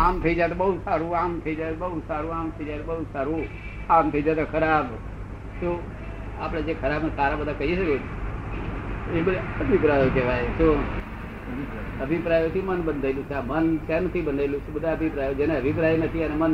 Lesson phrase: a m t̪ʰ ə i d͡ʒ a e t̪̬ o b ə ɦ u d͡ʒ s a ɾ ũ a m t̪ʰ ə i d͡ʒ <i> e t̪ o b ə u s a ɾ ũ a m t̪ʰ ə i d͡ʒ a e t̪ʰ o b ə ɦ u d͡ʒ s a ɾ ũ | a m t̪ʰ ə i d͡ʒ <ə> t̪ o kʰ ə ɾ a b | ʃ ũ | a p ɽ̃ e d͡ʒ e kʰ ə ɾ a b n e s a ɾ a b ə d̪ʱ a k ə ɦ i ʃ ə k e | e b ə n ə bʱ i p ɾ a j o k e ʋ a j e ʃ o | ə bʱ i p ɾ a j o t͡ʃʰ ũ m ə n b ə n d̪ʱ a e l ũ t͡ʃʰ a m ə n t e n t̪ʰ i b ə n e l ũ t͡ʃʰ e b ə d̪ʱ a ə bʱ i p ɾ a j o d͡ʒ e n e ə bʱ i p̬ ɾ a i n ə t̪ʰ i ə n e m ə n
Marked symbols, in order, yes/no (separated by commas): no, no